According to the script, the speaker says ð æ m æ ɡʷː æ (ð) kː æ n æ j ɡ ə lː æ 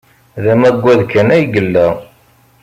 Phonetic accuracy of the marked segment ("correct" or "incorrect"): correct